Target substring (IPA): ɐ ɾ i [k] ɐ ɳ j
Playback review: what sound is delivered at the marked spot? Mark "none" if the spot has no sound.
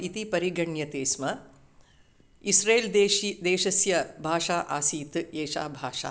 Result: ɡ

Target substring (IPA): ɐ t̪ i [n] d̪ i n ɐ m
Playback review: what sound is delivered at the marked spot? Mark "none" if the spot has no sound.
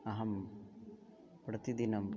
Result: none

